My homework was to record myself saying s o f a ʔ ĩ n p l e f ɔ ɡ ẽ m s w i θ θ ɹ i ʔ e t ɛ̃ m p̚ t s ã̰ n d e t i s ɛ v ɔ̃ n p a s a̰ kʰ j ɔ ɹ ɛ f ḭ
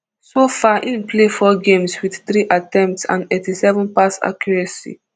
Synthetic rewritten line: s o f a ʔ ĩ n p l e f ɔ ɡ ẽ m s w i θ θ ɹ i ʔ a t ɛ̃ m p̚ t s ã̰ n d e t i s ɛ v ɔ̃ n p a s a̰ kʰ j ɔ ɹ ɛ s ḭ